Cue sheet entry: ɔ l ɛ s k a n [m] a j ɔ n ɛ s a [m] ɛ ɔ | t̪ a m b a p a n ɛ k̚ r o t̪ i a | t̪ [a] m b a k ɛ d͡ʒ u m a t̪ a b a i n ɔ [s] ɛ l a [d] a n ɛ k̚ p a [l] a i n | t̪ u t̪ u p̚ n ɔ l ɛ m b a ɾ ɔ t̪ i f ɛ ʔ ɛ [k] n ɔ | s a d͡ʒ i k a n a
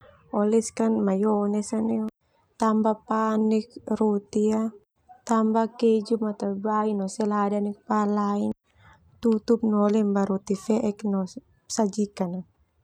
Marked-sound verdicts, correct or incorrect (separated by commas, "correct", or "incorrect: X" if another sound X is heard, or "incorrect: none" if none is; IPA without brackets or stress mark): correct, incorrect: n, correct, correct, correct, correct, correct